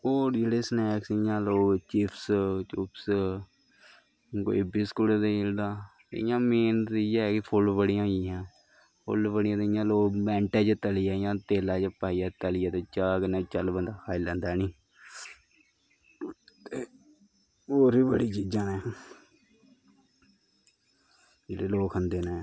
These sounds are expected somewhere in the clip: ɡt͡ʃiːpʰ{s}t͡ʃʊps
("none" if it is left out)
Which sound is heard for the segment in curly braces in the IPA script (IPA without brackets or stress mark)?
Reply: s